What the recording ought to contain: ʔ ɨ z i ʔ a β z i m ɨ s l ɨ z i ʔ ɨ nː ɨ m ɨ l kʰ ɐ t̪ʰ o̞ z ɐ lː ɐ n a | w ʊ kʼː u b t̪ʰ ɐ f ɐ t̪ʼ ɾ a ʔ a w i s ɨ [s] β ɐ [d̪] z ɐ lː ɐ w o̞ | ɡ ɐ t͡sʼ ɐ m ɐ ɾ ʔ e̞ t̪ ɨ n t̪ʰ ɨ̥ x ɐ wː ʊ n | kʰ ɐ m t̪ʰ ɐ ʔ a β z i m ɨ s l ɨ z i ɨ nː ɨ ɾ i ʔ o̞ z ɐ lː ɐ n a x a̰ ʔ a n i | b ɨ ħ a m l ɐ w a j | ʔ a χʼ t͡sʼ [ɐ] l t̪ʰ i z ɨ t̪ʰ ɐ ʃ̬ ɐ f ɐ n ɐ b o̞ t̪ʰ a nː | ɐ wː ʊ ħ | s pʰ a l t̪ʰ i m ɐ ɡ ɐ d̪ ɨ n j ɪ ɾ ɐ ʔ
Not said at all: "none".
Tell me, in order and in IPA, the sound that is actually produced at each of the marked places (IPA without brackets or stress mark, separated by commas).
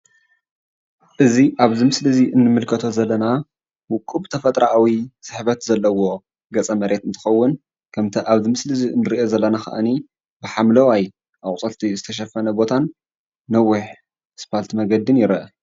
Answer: ħ, t̪, ɐ